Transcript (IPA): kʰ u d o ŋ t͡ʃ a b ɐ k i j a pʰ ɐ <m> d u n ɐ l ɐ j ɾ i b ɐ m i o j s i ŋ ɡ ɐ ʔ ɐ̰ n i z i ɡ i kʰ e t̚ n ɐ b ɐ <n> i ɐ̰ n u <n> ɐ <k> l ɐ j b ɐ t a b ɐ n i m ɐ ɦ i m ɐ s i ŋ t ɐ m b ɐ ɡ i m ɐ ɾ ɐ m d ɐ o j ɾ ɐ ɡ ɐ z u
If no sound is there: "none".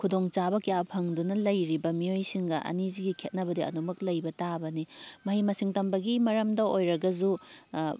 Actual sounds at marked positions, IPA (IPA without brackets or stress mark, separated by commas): ŋ, d, m, k